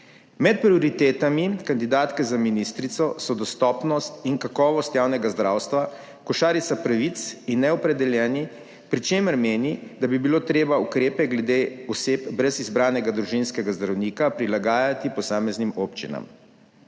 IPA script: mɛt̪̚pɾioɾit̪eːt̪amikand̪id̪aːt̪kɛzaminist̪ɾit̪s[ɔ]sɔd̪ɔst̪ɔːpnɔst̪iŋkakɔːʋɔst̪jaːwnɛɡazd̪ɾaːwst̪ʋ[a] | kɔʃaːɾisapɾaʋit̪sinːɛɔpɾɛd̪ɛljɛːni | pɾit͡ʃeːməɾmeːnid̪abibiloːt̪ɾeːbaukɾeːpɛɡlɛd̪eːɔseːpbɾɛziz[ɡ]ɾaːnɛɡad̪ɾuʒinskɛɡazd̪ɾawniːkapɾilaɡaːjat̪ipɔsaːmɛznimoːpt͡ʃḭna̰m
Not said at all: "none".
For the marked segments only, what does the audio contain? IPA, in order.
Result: ɔ, a, b

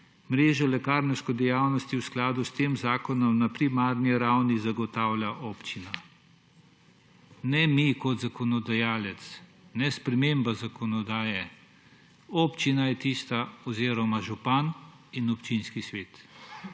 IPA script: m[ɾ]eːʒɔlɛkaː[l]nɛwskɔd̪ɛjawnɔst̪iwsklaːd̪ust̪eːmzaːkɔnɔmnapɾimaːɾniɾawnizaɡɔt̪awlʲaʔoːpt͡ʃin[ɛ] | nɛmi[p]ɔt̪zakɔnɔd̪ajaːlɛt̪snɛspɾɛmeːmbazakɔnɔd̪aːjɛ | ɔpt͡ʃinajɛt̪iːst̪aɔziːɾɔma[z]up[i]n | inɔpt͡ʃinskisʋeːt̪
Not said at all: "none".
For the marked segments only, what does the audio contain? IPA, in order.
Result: ɾ, ɾ, a, k, ʒ, a

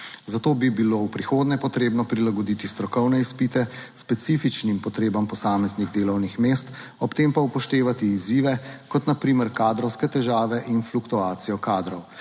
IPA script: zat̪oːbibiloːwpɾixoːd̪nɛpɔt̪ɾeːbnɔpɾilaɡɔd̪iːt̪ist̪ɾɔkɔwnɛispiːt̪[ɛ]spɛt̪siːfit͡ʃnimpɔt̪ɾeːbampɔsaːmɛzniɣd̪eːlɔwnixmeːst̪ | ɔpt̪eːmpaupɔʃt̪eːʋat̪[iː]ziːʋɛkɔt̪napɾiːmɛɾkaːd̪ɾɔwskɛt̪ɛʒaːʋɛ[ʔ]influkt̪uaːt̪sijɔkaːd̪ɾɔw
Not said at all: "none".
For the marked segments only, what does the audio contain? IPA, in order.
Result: ɛ, iː, ʔ

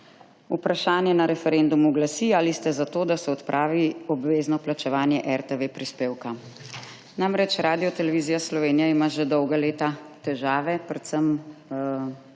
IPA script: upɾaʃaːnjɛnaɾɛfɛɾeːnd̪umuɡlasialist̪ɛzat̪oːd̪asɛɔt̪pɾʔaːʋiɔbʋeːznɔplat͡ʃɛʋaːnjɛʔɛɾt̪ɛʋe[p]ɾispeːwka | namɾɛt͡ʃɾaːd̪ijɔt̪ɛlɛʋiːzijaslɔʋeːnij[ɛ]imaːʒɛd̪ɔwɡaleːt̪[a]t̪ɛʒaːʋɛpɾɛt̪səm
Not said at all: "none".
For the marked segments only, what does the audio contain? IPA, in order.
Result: p, a, a

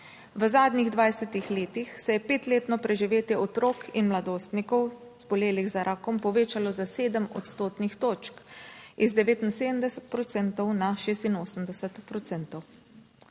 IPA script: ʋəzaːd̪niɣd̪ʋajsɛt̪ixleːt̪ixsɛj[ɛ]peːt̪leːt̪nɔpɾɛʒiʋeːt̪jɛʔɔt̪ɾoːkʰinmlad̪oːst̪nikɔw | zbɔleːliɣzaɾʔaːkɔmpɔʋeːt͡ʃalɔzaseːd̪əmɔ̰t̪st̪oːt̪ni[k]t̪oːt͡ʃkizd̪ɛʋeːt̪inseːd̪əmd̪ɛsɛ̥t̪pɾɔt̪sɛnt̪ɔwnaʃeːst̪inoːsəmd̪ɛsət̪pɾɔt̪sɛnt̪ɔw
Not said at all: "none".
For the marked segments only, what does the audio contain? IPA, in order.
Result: ɛ, x

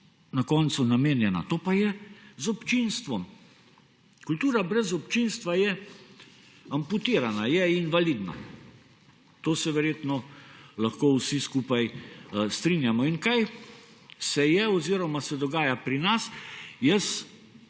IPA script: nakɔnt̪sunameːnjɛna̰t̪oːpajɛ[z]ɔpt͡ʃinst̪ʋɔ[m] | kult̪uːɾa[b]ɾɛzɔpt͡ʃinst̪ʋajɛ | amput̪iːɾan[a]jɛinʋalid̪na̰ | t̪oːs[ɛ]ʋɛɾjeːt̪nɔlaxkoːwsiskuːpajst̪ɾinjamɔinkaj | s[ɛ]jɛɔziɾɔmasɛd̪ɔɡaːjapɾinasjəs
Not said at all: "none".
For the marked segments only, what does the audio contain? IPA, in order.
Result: z, m, b, a, ɛ, ɛ

